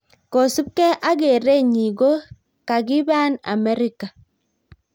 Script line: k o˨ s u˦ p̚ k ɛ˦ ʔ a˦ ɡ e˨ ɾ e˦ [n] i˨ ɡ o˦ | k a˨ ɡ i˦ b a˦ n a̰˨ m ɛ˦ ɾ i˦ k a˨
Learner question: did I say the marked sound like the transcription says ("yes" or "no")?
no